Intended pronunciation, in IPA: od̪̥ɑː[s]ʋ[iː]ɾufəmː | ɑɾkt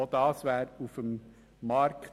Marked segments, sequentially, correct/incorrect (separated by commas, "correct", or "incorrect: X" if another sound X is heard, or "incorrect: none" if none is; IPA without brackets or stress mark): correct, incorrect: æː